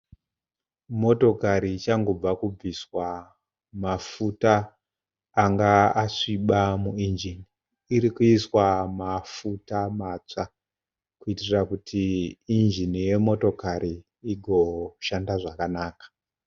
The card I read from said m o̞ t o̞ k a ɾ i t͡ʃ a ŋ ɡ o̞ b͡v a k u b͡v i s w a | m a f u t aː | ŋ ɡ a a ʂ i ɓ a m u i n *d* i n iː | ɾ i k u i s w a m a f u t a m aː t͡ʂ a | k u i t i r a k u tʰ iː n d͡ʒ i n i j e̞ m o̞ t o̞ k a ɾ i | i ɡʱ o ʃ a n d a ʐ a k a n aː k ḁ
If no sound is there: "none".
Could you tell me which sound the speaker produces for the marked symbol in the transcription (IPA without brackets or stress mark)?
d͡ʒ